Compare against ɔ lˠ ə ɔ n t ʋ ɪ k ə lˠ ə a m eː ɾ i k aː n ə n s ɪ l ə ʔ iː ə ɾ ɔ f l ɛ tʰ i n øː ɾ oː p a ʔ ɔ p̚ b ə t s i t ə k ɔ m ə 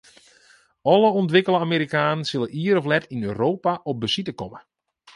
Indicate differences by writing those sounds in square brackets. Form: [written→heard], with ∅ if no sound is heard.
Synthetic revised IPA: ɔ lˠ ə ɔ n t ʋ ɪ k ə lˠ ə a m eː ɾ i k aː n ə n s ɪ l ə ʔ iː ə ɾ ɔ f l ɛ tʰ i n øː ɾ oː p a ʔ ɔ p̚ b ə [t→∅] s i t ə k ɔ m ə